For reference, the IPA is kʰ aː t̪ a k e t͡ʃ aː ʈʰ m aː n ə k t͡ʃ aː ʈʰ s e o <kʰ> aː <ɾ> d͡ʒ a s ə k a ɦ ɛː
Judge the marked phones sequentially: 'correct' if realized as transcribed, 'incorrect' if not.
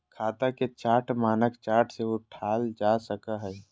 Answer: incorrect: ʈʰ, incorrect: l

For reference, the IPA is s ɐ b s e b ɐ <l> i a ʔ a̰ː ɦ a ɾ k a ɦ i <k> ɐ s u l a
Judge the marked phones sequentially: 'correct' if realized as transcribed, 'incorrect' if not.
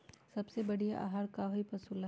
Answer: incorrect: ɽ, incorrect: p

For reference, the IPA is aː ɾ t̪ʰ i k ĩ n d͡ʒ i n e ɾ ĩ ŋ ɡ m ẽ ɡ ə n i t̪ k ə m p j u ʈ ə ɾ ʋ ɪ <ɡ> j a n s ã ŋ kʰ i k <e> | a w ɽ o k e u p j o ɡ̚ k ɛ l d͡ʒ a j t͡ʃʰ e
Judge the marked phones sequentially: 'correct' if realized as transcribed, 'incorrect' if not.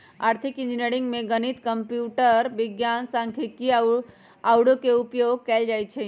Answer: correct, incorrect: i

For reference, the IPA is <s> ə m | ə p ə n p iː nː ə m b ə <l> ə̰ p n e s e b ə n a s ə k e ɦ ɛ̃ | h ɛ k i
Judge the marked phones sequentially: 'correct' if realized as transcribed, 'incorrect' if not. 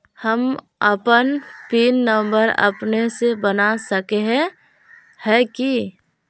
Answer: incorrect: h, incorrect: ɾ

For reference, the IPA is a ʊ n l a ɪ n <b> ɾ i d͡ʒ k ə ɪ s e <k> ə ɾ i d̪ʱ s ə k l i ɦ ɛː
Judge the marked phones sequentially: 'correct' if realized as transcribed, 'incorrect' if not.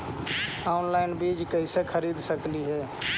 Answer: correct, incorrect: kʰ

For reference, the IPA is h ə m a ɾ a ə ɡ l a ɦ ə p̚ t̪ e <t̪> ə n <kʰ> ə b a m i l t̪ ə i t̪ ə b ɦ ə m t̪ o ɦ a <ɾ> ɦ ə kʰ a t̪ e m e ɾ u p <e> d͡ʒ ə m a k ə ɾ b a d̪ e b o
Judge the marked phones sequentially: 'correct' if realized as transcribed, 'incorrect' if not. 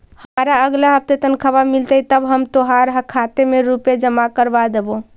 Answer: correct, correct, correct, correct

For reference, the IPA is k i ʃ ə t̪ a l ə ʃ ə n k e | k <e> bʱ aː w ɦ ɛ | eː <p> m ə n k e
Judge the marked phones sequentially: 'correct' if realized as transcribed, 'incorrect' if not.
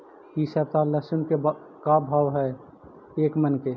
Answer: incorrect: a, incorrect: k

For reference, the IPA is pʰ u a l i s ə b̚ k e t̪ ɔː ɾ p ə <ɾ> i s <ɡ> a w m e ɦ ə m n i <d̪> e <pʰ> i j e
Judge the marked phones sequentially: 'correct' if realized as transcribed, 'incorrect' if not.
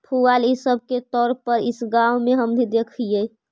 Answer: correct, correct, correct, incorrect: kʰ

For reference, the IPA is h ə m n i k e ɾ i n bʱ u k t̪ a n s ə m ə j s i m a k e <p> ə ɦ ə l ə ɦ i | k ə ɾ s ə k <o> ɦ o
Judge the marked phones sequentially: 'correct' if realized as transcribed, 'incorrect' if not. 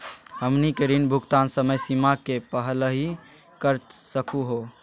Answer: correct, incorrect: u

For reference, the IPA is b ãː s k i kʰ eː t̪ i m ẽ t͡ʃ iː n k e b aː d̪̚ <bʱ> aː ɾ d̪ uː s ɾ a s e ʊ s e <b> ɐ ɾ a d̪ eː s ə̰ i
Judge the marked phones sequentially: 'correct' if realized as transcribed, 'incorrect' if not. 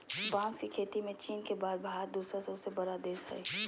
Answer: correct, correct

